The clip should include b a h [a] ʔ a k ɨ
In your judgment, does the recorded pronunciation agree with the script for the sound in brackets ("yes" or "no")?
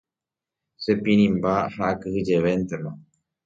yes